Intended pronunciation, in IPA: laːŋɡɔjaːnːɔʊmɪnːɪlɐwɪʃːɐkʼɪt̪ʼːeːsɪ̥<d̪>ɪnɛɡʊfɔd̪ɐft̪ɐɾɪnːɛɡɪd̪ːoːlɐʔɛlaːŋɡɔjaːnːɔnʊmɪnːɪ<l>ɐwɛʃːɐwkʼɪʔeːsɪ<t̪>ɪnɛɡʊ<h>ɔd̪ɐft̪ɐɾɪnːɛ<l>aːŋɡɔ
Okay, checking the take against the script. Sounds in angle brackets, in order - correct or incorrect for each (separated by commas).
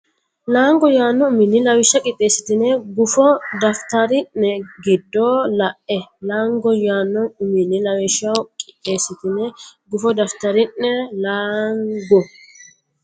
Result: incorrect, correct, correct, incorrect, correct